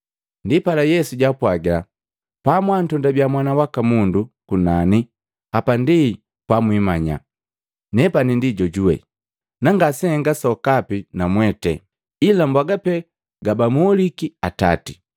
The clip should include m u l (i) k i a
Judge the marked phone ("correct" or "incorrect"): correct